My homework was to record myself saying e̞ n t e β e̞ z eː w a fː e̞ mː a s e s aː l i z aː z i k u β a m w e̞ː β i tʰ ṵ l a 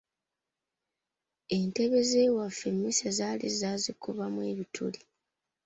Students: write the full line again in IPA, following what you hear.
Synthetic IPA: e̞ n t e β e̞ z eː w a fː e̞ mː i s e z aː l i z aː z i k u β a m w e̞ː β i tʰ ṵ l i